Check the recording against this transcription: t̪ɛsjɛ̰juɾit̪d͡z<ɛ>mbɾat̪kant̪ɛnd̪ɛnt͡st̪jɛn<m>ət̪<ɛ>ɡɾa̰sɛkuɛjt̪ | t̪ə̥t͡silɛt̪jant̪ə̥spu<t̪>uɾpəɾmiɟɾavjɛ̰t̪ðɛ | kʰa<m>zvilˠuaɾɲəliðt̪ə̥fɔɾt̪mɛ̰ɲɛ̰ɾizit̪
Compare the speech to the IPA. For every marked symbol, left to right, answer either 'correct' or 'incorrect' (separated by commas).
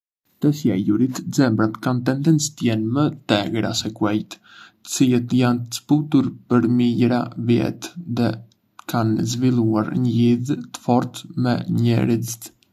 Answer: correct, correct, correct, correct, incorrect